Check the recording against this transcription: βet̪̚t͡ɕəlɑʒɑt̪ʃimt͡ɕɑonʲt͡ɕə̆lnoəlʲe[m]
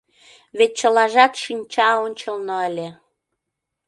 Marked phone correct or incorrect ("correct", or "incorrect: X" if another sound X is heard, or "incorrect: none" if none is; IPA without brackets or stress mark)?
incorrect: none